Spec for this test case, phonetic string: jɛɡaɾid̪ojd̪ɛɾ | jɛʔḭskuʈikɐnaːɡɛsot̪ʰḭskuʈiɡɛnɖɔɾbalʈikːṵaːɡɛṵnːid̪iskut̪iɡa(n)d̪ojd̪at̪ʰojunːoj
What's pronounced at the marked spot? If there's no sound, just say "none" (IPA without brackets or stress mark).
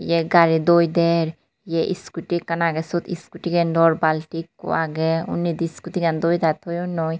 n